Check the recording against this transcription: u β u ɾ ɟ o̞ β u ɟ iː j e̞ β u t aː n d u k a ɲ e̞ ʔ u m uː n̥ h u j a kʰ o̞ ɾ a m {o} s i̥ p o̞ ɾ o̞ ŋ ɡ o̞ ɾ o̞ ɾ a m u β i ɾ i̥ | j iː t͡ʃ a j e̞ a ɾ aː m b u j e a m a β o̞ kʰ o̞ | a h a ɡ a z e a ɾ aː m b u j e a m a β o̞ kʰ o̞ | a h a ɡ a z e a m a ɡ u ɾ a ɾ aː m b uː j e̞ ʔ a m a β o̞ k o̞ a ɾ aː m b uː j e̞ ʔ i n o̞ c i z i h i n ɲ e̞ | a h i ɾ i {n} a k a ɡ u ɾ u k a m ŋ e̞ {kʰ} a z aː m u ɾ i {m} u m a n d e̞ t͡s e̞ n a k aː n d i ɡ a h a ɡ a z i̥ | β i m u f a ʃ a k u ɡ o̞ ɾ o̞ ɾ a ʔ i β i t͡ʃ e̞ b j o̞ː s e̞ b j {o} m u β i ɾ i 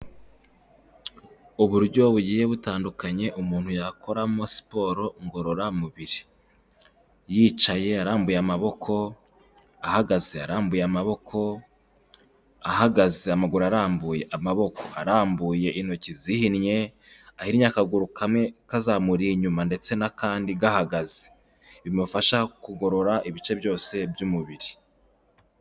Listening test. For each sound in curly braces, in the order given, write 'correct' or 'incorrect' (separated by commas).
correct, incorrect, incorrect, incorrect, incorrect